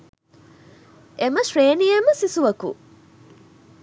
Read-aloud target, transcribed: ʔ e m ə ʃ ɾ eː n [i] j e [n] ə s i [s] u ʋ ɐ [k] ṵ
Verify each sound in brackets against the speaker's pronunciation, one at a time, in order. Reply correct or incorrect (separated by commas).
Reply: correct, incorrect, correct, correct